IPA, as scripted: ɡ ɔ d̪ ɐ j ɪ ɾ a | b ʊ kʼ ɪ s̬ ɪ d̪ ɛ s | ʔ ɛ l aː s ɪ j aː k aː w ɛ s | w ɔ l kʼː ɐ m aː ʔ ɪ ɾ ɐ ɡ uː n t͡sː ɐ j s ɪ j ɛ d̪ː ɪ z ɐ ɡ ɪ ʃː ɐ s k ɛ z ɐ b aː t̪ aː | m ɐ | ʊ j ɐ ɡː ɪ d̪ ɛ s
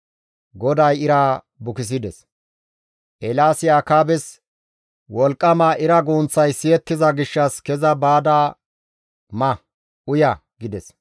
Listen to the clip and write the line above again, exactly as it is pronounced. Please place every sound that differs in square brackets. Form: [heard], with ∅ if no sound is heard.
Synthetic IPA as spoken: ɡ ɔ d̪ ɐ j ɪ ɾ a | b ʊ [k] ɪ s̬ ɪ d̪ ɛ s | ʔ ɛ l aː s ɪ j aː k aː [b] ɛ s | w ɔ l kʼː ɐ m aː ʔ ɪ ɾ ɐ ɡ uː n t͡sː ɐ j s ɪ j ɛ [t̪ː] ɪ z ɐ ɡ ɪ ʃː ɐ s k ɛ z ɐ b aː [d̪] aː | m ɐ | ʊ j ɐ [ɡ] ɪ d̪ ɛ s